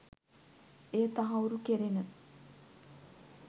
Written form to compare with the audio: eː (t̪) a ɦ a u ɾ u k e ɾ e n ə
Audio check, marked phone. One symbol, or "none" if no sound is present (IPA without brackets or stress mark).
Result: t̪